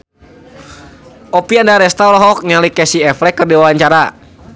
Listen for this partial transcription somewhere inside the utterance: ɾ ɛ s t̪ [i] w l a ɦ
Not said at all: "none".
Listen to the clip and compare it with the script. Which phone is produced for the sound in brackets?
a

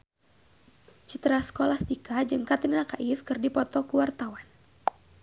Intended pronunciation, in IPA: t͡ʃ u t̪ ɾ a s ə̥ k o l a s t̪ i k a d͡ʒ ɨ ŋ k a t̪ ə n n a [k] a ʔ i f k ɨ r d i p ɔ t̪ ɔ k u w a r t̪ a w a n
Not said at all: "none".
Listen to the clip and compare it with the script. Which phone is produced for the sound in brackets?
k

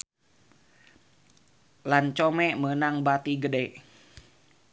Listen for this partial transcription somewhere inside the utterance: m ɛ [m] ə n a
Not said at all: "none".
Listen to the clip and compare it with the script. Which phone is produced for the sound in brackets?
m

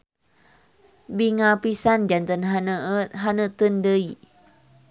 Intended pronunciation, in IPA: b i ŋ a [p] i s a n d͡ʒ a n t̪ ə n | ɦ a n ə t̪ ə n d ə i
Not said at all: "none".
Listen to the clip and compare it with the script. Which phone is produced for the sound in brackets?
p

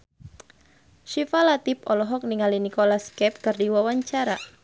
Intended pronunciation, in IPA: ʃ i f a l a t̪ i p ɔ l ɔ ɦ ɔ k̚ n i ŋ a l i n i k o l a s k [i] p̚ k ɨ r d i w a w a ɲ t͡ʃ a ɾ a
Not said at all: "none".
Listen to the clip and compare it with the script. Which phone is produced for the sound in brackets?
ɛ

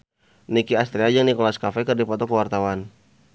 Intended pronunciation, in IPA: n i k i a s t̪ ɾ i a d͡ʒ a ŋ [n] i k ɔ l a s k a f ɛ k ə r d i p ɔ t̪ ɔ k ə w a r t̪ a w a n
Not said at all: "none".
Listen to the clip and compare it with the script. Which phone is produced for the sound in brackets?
n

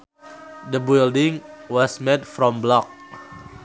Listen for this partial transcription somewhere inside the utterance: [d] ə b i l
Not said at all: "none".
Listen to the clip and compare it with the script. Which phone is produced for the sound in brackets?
d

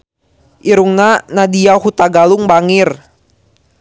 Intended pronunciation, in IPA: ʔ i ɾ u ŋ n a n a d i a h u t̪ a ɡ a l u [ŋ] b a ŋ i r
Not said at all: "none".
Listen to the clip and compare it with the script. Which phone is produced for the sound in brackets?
ŋ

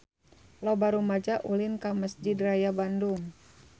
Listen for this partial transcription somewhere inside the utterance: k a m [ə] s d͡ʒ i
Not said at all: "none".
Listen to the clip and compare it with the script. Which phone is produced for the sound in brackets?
ə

